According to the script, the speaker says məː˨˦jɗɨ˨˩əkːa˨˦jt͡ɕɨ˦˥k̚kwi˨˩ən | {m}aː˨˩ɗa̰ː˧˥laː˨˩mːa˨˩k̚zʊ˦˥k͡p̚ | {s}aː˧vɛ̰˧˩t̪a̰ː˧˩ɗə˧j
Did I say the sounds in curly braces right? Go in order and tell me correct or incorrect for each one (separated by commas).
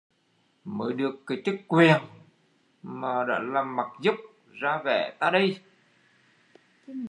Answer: correct, incorrect